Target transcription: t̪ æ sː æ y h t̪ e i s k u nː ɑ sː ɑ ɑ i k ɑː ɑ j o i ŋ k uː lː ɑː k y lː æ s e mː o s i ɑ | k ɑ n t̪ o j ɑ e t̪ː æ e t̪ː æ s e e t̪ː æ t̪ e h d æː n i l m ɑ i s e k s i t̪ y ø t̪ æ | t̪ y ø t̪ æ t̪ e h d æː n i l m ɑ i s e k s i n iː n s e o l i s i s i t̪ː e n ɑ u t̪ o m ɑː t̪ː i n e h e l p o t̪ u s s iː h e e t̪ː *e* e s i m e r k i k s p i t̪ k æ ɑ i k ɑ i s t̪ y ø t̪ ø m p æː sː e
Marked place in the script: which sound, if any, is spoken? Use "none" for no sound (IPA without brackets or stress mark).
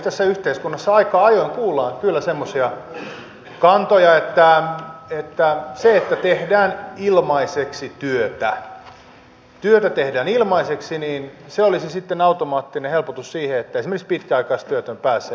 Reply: æ